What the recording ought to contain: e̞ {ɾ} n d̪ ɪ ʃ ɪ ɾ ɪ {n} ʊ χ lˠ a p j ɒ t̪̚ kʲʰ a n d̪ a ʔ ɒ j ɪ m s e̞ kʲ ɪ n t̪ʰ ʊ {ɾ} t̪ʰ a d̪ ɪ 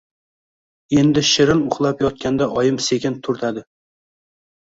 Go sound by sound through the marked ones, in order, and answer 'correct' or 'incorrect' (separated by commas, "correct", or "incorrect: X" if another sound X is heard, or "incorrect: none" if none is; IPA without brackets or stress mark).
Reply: incorrect: none, correct, correct